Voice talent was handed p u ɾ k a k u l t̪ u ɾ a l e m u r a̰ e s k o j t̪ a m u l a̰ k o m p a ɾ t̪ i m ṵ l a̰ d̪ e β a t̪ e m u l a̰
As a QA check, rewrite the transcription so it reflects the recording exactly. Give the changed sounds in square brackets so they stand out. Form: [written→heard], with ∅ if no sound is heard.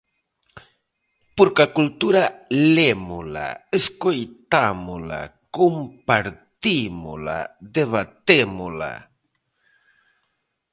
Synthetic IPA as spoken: p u ɾ k a k u l t̪ u ɾ a l e m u [r→l] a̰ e s k o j t̪ a m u l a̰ k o m p a ɾ t̪ i m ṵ l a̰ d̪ e β a t̪ e m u l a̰